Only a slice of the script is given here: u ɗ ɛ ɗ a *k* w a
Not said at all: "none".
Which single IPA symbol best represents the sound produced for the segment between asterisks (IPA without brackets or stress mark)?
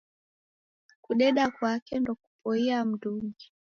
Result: k